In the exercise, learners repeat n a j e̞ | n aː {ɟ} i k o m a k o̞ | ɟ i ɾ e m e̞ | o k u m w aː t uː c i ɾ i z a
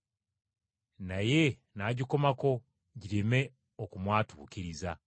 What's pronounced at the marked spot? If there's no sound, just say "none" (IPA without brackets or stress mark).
ɟ